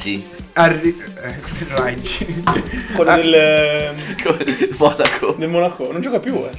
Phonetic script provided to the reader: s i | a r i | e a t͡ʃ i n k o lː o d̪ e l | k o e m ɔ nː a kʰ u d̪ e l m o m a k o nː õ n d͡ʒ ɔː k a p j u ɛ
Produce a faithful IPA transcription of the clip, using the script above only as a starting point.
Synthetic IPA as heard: s i | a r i | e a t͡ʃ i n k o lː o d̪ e l | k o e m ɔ n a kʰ o d̪ e l m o n a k o n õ n d͡ʒ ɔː k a p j u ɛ